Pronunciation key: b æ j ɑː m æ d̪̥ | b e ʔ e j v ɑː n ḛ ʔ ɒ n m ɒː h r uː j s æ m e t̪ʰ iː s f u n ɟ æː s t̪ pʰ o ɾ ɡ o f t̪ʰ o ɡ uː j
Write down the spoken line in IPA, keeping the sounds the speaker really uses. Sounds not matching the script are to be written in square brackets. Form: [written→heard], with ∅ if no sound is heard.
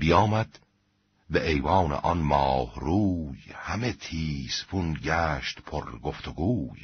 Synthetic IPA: b [æ→i] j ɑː m æ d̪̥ | b e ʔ e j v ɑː n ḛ ʔ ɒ n m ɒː h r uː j [s→h] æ m e t̪ʰ iː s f u n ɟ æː [s→ʃ] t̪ pʰ o ɾ ɡ o f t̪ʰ o ɡ uː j